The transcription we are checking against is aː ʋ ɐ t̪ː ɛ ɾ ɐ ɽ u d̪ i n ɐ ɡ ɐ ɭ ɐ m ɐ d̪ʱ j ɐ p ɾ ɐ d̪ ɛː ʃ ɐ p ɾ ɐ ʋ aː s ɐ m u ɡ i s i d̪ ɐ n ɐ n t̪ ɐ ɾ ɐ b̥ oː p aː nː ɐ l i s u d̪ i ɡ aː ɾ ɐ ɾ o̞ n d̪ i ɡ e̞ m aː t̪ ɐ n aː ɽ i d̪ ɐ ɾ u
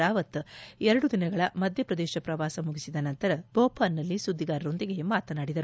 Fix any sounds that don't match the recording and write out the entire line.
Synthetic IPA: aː ʋ ɐ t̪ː ɛ ɾ ɐ ɽ u d̪ i n ɐ ɡ ɐ ɭ ɐ m ɐ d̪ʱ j ɐ p ɾ ɐ d̪ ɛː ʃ ɐ p ɾ ɐ ʋ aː s ɐ m u ɡ i s i d̪ ɐ n ɐ n t̪ ɐ ɾ ɐ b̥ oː p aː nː ɐ lː i s u d̪ː i ɡ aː ɾ ɐ ɾ o̞ n d̪ i ɡ e̞ m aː t̪ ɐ n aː ɽ i d̪ ɐ ɾ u